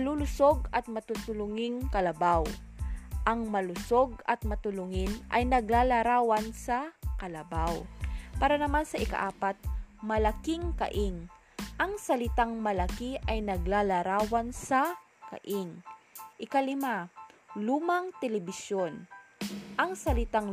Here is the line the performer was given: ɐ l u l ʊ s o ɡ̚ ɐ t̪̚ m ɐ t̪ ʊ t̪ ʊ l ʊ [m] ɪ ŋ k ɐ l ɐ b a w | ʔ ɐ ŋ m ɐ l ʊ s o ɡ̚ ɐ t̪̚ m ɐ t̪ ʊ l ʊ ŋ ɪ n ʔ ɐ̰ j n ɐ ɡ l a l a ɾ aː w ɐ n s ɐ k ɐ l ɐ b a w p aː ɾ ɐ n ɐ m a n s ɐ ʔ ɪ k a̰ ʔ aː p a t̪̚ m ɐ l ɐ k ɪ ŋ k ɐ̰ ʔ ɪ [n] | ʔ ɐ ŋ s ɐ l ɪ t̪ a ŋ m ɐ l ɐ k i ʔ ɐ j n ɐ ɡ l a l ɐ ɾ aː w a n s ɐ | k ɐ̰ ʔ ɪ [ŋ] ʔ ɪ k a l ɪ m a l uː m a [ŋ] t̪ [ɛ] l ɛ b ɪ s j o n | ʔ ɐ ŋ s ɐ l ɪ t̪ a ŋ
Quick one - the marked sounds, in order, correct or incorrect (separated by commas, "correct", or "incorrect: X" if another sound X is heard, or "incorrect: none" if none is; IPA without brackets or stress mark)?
incorrect: ŋ, incorrect: ŋ, correct, correct, correct